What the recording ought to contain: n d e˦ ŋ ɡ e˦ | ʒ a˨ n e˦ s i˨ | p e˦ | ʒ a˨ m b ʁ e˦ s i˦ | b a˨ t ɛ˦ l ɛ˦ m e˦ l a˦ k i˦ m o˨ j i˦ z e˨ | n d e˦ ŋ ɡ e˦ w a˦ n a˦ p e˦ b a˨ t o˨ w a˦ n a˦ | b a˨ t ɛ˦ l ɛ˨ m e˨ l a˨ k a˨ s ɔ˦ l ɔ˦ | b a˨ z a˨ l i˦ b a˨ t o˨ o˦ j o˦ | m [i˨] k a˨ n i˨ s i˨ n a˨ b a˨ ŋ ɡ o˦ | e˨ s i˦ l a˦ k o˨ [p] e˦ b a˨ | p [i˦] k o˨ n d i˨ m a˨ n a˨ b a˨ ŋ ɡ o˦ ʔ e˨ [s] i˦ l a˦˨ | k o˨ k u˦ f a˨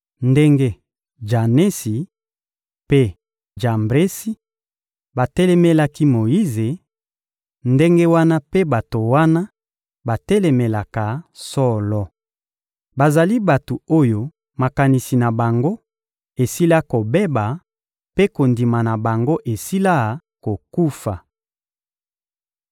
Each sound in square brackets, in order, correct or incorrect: incorrect, incorrect, incorrect, correct

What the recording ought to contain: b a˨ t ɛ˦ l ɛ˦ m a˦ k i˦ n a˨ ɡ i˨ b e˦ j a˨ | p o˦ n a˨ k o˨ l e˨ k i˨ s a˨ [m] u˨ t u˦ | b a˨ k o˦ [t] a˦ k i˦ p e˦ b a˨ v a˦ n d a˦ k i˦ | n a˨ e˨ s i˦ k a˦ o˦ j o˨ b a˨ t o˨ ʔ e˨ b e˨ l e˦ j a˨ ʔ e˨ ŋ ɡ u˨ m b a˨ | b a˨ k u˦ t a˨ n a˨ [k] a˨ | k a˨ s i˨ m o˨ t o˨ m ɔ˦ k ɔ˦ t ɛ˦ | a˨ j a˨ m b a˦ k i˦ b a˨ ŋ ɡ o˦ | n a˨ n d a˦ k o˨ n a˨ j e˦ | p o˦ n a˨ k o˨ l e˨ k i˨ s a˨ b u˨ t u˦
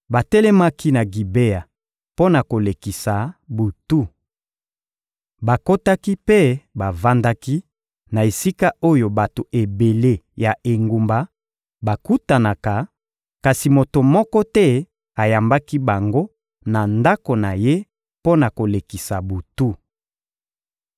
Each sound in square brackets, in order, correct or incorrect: incorrect, correct, correct

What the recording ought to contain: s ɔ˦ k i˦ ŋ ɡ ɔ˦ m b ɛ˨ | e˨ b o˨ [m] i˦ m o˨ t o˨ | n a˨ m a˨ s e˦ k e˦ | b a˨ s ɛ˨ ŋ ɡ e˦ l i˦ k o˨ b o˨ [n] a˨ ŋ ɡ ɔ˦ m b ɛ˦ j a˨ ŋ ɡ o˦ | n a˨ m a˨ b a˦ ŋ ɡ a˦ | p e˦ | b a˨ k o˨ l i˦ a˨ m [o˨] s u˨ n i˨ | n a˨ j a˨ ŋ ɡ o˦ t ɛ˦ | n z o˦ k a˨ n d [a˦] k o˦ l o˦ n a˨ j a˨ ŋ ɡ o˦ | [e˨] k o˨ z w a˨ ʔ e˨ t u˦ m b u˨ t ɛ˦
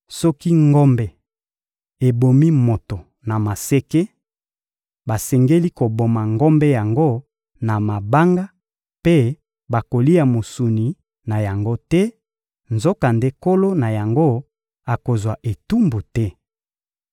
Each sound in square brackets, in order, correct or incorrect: correct, incorrect, correct, incorrect, incorrect

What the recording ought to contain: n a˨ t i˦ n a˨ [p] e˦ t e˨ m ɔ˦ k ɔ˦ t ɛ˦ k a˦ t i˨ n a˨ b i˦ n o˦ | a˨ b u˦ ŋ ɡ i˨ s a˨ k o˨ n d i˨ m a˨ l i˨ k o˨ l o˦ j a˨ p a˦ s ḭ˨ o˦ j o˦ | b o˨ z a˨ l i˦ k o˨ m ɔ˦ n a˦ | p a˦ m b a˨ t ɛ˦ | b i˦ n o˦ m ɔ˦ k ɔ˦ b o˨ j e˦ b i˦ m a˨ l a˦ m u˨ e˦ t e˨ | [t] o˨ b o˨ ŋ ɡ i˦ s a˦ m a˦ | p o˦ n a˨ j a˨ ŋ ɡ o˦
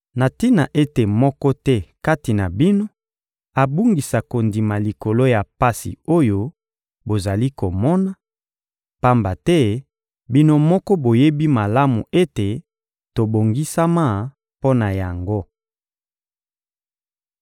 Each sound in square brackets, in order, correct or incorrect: incorrect, correct

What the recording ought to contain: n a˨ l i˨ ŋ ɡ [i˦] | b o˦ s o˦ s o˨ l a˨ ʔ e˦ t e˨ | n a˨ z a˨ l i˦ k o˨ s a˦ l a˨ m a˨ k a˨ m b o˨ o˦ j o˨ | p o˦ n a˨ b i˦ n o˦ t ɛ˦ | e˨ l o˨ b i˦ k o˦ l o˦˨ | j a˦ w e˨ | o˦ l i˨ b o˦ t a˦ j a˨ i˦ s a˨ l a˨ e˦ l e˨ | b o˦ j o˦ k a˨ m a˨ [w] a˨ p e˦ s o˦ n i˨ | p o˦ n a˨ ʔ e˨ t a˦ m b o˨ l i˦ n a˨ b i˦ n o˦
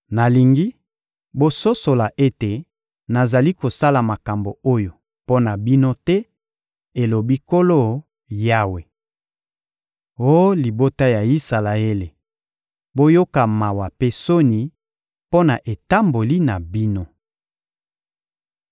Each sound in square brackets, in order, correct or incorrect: correct, correct

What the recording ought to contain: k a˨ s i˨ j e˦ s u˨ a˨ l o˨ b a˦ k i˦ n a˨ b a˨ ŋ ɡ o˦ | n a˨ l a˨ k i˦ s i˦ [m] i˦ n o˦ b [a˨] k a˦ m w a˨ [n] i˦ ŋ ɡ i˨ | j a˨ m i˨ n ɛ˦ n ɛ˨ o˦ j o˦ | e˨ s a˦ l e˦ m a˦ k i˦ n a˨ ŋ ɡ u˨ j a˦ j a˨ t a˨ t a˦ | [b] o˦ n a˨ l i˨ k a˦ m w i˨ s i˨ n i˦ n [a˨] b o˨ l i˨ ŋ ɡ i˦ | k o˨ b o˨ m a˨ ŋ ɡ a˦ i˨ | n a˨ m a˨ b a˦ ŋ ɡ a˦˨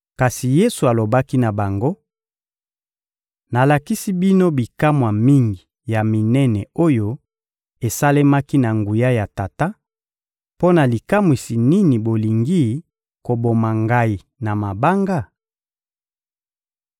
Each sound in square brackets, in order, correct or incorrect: incorrect, incorrect, incorrect, incorrect, incorrect

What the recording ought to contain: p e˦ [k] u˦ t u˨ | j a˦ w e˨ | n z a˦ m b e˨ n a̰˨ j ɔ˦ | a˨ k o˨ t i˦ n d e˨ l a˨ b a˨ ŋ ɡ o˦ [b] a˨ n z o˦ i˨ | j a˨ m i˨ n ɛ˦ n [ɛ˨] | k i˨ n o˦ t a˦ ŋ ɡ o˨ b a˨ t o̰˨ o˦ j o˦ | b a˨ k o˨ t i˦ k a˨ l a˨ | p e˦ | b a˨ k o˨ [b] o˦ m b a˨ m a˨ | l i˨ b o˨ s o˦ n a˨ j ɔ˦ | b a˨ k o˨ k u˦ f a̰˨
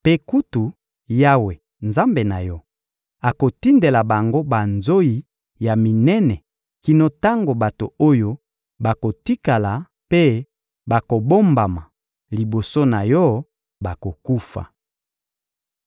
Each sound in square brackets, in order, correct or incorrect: correct, correct, correct, correct

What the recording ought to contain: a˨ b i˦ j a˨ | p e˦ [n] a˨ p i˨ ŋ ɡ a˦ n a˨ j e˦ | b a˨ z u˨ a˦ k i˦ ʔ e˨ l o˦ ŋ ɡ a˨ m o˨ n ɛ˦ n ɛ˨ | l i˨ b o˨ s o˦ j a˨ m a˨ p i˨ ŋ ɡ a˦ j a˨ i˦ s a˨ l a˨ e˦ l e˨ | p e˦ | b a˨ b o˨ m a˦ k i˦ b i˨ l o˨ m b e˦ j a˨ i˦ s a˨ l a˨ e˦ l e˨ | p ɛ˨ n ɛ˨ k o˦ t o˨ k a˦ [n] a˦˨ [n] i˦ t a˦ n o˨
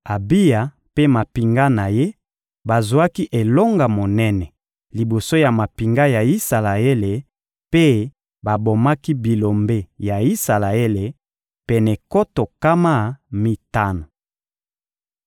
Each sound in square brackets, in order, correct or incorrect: incorrect, incorrect, incorrect

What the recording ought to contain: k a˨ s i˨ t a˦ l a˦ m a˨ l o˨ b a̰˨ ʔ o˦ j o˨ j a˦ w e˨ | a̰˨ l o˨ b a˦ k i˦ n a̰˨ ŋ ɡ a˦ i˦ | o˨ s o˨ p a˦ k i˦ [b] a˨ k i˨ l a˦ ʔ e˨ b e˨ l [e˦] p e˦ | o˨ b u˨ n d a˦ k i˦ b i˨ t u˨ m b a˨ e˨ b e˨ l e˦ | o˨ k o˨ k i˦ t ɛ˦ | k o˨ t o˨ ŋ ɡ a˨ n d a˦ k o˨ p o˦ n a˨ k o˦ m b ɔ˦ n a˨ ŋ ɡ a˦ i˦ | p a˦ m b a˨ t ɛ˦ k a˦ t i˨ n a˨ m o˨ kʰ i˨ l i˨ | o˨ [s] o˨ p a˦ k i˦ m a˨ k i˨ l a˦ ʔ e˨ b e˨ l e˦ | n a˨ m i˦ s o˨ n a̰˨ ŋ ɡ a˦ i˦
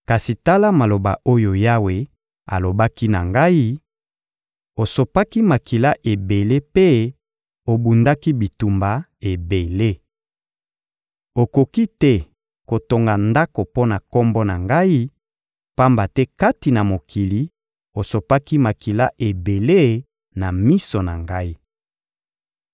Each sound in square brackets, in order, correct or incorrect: incorrect, correct, correct

